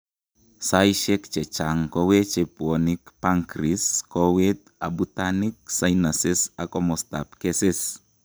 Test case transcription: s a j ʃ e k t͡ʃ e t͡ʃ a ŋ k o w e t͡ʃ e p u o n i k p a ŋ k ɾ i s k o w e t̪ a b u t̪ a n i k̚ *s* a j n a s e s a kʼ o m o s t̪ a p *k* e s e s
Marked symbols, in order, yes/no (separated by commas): yes, yes